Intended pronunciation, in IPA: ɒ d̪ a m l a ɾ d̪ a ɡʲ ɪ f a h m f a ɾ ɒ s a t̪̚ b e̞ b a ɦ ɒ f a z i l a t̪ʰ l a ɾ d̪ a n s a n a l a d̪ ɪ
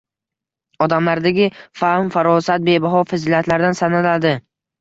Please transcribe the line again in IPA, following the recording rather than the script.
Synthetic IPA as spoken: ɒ d̪ a m l a ɾ d̪ a ɡʲ ɪ f a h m f a ɾ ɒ s a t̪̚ b e̞ b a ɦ ɒ f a z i l a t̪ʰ l a ɾ d̪ a n s a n a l a d̪ ɪ